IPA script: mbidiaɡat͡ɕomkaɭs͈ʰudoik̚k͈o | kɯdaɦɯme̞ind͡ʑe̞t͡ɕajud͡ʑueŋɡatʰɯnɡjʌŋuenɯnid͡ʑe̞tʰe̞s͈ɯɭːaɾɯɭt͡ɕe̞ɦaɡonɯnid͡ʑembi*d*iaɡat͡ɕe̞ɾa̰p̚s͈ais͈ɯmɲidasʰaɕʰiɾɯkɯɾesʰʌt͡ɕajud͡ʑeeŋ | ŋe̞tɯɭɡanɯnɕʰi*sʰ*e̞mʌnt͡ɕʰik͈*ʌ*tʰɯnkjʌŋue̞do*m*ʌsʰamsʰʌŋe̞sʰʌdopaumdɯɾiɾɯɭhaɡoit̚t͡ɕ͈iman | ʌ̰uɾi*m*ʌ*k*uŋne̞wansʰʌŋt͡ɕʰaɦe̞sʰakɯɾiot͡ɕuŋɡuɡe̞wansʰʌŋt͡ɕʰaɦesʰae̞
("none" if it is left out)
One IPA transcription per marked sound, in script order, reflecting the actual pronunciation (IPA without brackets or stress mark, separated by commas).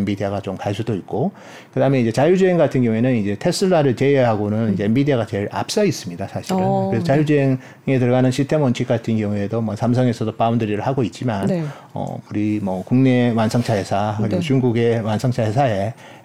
d, tʰ, a, m, m, k